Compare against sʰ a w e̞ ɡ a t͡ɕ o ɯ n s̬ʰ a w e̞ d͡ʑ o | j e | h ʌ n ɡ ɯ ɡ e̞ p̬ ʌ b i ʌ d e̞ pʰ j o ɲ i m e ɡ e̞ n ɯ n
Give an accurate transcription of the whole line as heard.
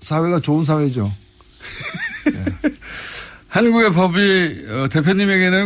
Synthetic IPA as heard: sʰ a w e̞ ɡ a t͡ɕ o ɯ n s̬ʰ a w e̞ d͡ʑ o | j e | h a n ɡ u ɡ e̞ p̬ ʌ b i ʌ t e̞ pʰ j o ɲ i m e ɡ e̞ n ɯ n